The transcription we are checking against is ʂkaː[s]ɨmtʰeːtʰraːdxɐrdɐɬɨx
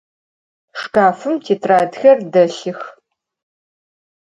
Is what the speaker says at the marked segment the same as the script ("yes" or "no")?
no